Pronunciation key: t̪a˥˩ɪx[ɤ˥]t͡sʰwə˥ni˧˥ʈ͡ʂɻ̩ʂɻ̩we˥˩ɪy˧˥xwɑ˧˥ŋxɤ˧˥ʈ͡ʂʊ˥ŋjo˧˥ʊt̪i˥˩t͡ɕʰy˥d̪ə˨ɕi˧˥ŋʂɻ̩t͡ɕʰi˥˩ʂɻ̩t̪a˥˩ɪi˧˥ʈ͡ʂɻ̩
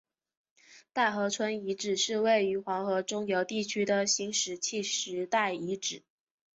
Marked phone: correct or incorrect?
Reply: incorrect